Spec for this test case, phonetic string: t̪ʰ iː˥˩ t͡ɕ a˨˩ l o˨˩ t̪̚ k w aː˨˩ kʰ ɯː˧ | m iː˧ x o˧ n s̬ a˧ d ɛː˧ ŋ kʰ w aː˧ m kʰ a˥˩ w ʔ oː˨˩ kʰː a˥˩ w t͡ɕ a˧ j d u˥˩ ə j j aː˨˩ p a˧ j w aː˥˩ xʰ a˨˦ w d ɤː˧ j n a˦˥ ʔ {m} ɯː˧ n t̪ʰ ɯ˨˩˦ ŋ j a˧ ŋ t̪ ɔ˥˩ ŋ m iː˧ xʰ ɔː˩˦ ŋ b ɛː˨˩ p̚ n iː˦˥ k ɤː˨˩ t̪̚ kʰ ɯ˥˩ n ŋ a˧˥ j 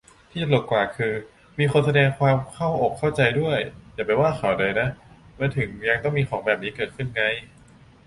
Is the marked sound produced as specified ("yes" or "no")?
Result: yes